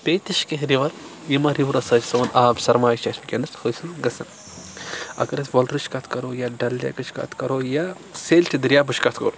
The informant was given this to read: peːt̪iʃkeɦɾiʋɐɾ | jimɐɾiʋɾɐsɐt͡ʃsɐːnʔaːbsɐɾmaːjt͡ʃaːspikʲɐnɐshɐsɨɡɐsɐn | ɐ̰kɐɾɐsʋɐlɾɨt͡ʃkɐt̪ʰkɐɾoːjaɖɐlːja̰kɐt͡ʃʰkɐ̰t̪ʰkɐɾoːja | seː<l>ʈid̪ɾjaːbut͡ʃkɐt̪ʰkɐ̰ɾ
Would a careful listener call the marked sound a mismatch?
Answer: no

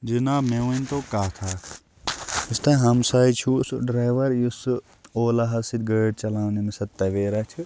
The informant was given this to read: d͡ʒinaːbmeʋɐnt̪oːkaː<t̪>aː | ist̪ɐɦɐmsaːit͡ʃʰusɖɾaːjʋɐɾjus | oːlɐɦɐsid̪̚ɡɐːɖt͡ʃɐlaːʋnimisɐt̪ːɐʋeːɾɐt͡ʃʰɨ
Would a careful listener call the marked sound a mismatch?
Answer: yes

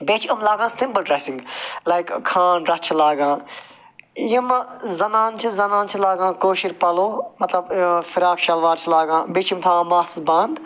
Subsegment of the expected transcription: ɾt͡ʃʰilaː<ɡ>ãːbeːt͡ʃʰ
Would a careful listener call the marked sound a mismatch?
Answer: no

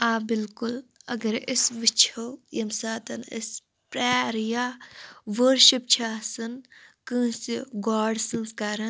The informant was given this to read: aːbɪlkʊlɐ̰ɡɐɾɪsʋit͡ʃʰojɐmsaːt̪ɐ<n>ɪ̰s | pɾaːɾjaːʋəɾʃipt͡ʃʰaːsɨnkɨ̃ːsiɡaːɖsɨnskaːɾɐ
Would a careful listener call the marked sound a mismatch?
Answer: no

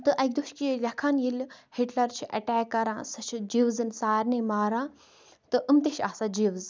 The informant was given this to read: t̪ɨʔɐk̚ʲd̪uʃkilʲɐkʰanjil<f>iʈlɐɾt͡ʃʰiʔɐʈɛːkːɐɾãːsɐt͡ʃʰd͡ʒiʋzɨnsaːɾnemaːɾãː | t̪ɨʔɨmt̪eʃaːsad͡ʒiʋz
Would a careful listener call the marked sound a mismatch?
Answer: yes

